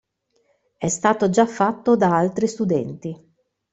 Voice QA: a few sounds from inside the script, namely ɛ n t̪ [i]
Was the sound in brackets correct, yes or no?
yes